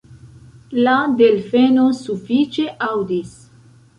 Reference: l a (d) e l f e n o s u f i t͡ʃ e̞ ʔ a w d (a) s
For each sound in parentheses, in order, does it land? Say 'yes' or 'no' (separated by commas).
yes, no